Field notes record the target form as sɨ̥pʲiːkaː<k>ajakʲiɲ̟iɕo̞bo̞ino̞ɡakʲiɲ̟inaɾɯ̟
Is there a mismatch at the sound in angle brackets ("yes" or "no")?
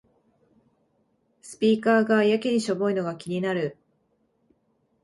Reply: yes